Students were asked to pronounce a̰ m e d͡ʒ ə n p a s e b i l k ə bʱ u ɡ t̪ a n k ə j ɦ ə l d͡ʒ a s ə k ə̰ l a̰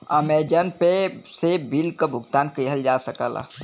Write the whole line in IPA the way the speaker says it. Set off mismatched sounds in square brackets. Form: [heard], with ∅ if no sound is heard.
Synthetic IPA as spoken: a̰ m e d͡ʒ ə n p [e] s e b i l k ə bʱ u ɡ t̪ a n k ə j ɦ ə l d͡ʒ a s ə k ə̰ l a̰

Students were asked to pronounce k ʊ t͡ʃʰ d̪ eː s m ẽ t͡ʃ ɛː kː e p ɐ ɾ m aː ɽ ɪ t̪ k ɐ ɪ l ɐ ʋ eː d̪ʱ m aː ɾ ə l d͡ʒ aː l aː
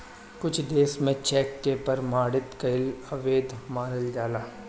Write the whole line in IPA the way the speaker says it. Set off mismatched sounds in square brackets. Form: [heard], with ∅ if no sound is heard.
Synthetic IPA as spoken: k ʊ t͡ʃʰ d̪ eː s m ẽ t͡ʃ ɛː kː e p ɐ ɾ m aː ɽ ɪ t̪ k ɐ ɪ l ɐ ʋ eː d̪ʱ m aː ɾ ə l d͡ʒ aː l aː

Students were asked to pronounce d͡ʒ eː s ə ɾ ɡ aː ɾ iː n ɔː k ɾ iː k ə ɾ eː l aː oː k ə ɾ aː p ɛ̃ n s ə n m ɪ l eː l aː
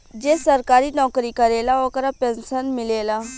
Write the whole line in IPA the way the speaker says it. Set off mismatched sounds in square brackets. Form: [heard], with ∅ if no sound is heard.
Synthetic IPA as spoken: d͡ʒ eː s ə ɾ [k] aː ɾ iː n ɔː k ɾ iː k ə ɾ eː l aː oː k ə ɾ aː p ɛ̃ n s ə n m ɪ l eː l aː

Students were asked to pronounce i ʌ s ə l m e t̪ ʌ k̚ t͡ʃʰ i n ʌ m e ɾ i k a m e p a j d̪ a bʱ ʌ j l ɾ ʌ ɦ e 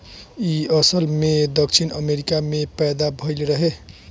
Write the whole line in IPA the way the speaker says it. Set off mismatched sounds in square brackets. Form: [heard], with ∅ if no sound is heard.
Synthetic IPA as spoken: i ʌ s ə l m e [d̪] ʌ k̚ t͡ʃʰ i n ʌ m e ɾ i k a m e p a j d̪ a bʱ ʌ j l ɾ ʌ ɦ e

